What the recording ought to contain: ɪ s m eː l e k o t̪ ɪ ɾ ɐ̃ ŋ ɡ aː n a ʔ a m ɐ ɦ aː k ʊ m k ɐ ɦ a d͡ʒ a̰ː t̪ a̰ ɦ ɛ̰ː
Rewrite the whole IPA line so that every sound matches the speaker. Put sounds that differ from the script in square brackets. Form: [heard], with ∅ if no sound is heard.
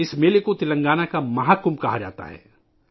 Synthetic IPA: ɪ s m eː l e k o t̪ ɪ [l] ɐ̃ ŋ ɡ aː n a [k] a m ɐ ɦ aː k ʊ m k ɐ ɦ a d͡ʒ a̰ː t̪ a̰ ɦ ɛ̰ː

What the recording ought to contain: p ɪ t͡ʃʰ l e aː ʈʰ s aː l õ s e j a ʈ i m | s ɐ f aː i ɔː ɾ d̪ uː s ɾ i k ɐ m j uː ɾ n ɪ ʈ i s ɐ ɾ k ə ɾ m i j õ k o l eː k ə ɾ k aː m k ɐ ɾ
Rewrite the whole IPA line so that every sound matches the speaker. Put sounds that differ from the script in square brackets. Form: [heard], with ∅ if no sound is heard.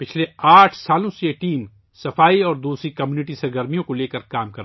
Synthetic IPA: p ɪ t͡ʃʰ l e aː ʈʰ s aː l õ s e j [e] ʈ [iː] m | s ɐ f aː i ɔː ɾ d̪ uː s ɾ i k ɐ m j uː [∅] n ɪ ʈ i s ɐ ɾ [ɡ] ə ɾ m i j õ k o l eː k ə ɾ k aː m k ɐ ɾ

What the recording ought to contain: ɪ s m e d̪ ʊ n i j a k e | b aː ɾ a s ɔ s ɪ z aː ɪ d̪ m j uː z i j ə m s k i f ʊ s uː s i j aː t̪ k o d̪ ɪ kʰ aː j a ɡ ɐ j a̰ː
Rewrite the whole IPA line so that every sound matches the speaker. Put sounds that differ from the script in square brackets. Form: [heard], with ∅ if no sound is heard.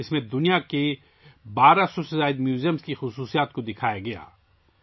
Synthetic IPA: ɪ s m [ẽ] d̪ ʊ n i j a k e | b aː ɾ a s ɔ s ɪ z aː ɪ d̪ m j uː z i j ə m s k i [x] ʊ s uː s i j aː t̪ k o d̪ ɪ kʰ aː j a ɡ ɐ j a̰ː

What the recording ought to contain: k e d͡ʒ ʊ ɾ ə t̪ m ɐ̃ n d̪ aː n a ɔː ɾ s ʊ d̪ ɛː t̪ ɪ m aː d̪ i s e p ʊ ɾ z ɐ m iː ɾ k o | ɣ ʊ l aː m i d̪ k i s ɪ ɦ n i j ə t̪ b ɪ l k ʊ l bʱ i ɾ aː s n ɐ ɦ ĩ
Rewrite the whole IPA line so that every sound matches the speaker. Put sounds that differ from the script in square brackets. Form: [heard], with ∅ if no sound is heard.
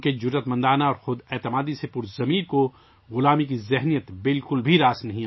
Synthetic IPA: k e d͡ʒ ʊ ɾ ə t̪ m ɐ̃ n d̪ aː n a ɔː ɾ [x] ʊ d̪ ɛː t̪ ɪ m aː d̪ i s e p ʊ ɾ z ɐ m iː ɾ k o | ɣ ʊ l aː m i [∅] k i [z] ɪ ɦ n i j ə t̪ b ɪ l k ʊ l bʱ i ɾ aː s n ɐ ɦ ĩ

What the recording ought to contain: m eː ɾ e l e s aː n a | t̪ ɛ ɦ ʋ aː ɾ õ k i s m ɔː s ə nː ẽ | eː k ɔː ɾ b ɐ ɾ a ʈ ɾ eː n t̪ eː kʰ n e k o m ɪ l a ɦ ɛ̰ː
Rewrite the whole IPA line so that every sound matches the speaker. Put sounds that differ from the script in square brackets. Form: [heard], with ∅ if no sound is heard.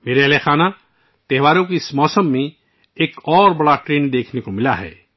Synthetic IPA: m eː ɾ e l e [x] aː n a | t̪ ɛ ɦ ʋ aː ɾ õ k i s m ɔː s ə [mː] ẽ | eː k ɔː ɾ b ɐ [ɽ] a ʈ ɾ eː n [d̪] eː kʰ n e k o m ɪ l a ɦ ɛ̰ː

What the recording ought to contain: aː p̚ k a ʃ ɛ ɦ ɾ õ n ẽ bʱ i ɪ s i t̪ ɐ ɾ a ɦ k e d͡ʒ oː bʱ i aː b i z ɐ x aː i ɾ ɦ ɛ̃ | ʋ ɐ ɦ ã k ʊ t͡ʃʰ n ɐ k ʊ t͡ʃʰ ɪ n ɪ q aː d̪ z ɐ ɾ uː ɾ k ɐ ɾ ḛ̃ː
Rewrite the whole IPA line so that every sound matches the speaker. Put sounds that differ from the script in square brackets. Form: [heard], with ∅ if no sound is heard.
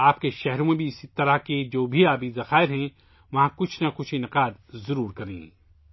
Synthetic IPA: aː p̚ k [e] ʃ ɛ ɦ ɾ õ [m] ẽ bʱ i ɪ s i t̪ ɐ ɾ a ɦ k e d͡ʒ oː bʱ i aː b i z ɐ x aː [ɪ] ɾ ɦ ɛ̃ | ʋ ɐ ɦ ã k ʊ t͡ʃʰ n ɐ k ʊ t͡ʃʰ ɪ n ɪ q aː d̪ z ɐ ɾ uː ɾ k ɐ ɾ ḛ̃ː

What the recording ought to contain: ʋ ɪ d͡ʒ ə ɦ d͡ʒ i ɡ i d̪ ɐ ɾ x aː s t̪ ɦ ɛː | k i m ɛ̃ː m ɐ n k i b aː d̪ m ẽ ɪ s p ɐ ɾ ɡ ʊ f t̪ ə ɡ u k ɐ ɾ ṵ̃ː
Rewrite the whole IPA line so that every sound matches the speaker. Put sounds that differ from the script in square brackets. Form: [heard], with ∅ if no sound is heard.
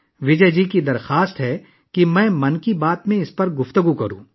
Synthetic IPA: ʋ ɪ d͡ʒ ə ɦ d͡ʒ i [k] i d̪ ɐ ɾ x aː s t̪ ɦ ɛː | k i m ɛ̃ː m ɐ n k i b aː [t̪] m ẽ ɪ s p ɐ ɾ ɡ ʊ f t̪ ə ɡ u k ɐ ɾ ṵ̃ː

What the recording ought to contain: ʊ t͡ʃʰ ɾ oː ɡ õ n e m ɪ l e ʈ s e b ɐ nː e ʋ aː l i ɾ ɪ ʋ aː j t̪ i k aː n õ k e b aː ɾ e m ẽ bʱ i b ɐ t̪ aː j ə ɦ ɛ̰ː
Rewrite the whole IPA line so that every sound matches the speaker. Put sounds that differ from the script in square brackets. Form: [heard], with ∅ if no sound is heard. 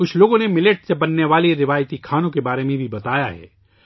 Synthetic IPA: ʊ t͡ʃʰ [l] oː ɡ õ n e m ɪ l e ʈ s e b ɐ nː e ʋ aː l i ɾ ɪ ʋ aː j t̪ i [kʰ] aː n õ k e b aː ɾ e m ẽ bʱ i b ɐ t̪ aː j [a] ɦ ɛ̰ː

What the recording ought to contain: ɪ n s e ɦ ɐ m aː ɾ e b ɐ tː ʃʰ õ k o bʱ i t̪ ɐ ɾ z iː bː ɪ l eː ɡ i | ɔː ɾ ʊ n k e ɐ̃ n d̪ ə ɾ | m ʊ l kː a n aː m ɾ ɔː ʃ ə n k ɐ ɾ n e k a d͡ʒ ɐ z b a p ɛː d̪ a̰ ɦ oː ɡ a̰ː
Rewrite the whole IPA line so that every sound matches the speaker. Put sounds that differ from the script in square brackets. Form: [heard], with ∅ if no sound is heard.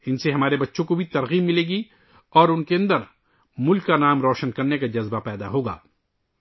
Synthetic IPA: ɪ n s e ɦ ɐ m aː ɾ e b ɐ tː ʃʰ õ k o bʱ i t̪ ɐ ɾ [ɣ] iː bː ɪ l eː ɡ i | ɔː ɾ ʊ n k e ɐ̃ n d̪ ə ɾ | m ʊ l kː a n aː m ɾ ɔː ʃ ə n k ɐ ɾ n e k a d͡ʒ ɐ z b a p ɛː d̪ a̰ ɦ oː ɡ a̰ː

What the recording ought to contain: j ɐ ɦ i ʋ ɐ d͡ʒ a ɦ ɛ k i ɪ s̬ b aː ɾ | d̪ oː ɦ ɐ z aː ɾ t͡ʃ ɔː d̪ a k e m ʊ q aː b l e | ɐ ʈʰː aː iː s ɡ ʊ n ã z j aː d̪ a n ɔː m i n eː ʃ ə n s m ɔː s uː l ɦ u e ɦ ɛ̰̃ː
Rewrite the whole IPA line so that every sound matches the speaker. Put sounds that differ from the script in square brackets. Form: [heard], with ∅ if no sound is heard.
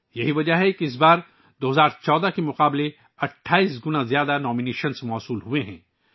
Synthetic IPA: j ɐ ɦ i ʋ ɐ d͡ʒ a ɦ ɛ k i ɪ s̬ b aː ɾ | d̪ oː ɦ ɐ z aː ɾ t͡ʃ ɔː d̪ a k e m ʊ q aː b l e | ɐ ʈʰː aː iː s ɡ ʊ n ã z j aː d̪ a n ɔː m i n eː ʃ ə n s m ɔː s uː l ɦ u e ɦ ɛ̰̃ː

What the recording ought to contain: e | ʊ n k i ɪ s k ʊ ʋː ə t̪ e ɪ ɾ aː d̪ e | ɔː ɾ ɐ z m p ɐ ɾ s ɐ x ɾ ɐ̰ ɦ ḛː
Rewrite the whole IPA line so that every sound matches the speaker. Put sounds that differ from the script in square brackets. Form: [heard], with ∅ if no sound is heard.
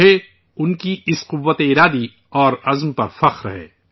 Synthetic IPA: e | ʊ n k i ɪ s [q] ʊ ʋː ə t̪ e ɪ ɾ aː d̪ [i] | ɔː ɾ ɐ z m p ɐ ɾ [f] ɐ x ɾ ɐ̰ ɦ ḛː

